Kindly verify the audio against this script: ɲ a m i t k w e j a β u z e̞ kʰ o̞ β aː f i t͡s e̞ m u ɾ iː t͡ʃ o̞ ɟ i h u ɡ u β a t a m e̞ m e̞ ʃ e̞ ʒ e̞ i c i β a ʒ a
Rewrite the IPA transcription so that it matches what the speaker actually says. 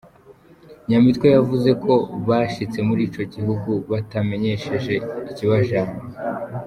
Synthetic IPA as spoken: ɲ a m i t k w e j a v u z e̞ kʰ o̞ β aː ʃ i t͡s e̞ m u ɾ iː t͡ʃ o̞ ɟ i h u ɡ u β a t a m e̞ ɲ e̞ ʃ e̞ ʒ e̞ i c i β a ʒ a